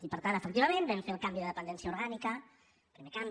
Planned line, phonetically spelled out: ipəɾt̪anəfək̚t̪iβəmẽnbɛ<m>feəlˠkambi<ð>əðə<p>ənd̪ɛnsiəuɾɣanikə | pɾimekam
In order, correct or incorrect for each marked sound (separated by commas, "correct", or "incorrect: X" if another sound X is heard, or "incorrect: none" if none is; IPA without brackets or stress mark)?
correct, correct, correct